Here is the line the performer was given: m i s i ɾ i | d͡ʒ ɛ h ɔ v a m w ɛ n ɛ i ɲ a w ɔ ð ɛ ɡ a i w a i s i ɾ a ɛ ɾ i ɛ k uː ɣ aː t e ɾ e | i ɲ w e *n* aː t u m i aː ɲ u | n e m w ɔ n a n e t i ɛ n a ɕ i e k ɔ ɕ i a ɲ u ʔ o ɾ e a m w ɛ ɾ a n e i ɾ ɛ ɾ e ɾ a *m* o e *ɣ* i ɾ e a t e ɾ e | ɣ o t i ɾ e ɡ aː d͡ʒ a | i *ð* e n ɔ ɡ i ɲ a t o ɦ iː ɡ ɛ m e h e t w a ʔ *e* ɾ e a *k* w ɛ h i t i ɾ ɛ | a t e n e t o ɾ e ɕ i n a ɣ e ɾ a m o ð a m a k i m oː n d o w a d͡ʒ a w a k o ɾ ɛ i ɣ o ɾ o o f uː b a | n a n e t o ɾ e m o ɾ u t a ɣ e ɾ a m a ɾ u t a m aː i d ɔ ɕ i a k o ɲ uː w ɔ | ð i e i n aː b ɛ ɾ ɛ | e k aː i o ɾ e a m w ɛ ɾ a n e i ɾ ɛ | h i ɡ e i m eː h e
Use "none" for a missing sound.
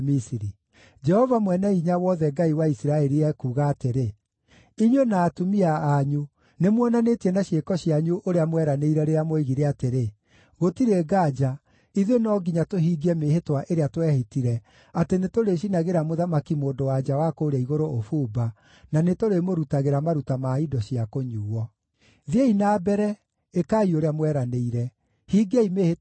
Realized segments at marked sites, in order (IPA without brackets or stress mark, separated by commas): n, m, ɣ, ð, e, t